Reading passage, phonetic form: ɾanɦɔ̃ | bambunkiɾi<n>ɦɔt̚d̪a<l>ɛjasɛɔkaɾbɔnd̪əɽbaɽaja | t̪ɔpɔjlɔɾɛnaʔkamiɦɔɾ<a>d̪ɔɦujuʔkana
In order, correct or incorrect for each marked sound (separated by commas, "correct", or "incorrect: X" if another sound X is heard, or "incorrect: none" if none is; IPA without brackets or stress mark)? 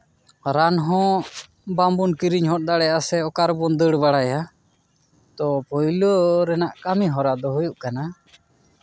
incorrect: ɲ, incorrect: ɽ, correct